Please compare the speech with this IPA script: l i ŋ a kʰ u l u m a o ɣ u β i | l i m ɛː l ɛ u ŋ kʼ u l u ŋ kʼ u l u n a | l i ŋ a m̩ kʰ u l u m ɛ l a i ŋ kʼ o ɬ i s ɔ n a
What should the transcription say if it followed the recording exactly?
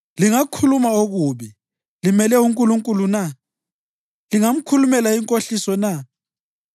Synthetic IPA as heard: l i ŋ a kʰ u l u m a o ɣ u β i | l i m ɛ l ɛ u ŋ kʼ u l u ŋ kʼ u l u n a | l i ŋ a m̩ kʰ u l u m ɛ l a i ŋ kʼ o ɬ i s ɔ n a